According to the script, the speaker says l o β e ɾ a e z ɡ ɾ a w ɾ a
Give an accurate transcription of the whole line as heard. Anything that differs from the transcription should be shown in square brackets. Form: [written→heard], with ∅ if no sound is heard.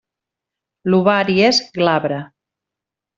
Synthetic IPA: l [o→u] β [e→a] ɾ [a→i] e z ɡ [ɾ→l] a [w→β] ɾ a